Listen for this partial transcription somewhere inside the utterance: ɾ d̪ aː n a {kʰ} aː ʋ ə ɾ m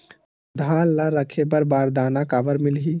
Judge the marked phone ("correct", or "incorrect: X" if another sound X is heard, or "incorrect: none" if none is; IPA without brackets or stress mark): incorrect: k